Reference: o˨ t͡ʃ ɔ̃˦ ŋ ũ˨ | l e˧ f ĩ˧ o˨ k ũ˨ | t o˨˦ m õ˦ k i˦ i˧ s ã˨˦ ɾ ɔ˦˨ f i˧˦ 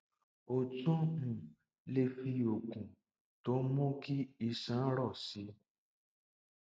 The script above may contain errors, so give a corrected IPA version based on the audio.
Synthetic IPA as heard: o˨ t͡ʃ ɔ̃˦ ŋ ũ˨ | l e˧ f i˧ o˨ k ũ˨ | t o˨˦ m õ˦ k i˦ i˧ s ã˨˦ ɾ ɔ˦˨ s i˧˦

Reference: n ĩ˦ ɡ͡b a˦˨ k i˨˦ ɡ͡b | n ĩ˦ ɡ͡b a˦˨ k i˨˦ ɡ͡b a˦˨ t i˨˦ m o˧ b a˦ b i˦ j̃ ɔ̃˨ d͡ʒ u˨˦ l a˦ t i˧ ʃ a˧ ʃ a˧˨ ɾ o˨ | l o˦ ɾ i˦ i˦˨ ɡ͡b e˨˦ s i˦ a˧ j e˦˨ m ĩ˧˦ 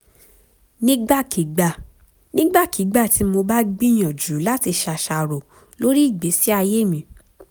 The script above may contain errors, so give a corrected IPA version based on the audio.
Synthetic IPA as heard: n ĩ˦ ɡ͡b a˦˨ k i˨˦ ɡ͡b | n ĩ˦ ɡ͡b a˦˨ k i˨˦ ɡ͡b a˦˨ t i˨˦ m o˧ b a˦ ɡ͡b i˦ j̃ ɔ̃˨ d͡ʒ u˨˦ l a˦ t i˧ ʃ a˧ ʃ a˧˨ ɾ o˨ | l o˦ ɾ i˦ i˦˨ ɡ͡b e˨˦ s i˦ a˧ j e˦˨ m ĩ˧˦

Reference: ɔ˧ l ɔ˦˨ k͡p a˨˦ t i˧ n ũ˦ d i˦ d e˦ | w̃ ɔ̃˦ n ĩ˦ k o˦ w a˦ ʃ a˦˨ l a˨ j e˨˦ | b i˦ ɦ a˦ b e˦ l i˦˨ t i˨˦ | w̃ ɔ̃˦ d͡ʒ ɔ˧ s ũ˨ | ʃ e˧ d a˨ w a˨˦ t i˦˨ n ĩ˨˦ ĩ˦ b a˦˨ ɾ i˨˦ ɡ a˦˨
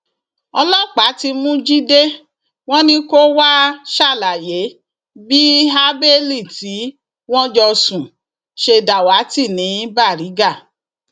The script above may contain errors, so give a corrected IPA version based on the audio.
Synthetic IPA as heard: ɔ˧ l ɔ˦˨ k͡p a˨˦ t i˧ m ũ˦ d͡ʒ i˦ d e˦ | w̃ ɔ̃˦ n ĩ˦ k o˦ w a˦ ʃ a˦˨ l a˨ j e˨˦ | b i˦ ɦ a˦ b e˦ l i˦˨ t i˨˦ | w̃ ɔ̃˦ d͡ʒ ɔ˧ s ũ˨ | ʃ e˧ d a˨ w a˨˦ t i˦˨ n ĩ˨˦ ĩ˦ b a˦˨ ɾ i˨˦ ɡ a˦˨

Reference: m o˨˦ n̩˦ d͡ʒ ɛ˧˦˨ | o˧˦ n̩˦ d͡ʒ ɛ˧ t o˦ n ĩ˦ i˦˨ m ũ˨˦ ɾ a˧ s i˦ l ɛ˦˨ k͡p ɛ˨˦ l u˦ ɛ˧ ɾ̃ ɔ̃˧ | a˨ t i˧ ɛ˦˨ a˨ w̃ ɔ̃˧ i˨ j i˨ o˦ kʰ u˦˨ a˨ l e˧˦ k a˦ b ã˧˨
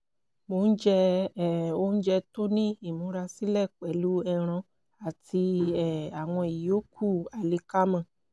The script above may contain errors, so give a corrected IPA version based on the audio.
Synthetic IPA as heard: m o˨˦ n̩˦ d͡ʒ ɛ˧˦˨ | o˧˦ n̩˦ d͡ʒ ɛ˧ t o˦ n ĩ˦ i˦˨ m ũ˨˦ ɾ a˧ s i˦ l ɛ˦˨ k͡p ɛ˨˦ l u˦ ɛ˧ ɾ̃ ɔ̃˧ | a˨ t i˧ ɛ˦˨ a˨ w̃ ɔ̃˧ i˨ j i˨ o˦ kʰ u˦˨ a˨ l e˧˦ k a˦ m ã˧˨

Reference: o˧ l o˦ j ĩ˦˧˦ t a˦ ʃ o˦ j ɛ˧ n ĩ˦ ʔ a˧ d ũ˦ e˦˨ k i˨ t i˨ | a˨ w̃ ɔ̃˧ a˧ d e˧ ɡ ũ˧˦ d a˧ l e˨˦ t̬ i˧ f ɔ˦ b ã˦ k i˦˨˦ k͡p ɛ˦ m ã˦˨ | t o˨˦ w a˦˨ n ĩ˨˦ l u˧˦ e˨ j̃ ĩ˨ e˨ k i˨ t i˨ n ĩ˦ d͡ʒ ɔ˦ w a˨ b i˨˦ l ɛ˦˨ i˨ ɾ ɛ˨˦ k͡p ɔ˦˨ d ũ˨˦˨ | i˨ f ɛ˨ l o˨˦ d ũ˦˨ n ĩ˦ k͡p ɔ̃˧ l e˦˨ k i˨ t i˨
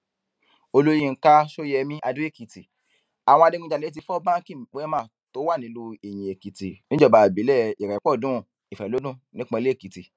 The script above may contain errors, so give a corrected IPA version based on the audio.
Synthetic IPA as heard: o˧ l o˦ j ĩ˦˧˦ k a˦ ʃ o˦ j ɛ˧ m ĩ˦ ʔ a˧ d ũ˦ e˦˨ k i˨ t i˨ | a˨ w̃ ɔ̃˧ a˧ d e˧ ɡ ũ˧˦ d͡ʒ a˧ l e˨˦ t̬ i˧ f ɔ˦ b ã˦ k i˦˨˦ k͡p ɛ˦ m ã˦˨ | t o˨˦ w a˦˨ n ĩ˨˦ l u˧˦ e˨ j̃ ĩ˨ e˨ k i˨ t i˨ n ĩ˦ d͡ʒ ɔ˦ b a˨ b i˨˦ l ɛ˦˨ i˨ ɾ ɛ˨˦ k͡p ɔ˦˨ d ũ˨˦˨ | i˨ f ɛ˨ l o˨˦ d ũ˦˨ n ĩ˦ k͡p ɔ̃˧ l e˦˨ k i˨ t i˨

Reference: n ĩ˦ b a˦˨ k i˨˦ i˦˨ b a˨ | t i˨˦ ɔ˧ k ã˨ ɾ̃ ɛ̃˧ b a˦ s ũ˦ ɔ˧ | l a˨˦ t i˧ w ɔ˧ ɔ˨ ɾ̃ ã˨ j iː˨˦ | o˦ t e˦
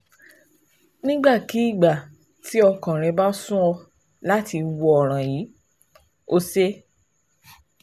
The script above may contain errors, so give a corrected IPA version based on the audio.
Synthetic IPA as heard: n ĩ˦ ɡ͡b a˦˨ k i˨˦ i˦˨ ɡ͡b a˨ | t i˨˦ ɔ˧ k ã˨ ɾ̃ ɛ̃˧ b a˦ s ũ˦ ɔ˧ | l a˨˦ t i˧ w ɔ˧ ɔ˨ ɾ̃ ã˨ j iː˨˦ | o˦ s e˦

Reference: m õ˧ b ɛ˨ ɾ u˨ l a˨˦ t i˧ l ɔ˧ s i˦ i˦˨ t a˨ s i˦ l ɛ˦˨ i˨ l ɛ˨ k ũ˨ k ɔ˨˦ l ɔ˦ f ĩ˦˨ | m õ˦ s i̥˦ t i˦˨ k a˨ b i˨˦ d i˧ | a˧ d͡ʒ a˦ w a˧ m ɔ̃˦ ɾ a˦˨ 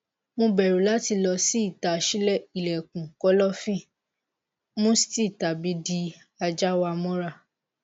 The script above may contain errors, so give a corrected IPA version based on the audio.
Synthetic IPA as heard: m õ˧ b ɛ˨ ɾ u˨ l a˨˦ t i˧ l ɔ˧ s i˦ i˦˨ t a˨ ʃ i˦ l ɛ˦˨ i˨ l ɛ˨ k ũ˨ k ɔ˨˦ l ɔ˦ f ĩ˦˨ | m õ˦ s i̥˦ t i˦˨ t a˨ b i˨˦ d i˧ | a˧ d͡ʒ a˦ w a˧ m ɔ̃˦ ɾ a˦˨

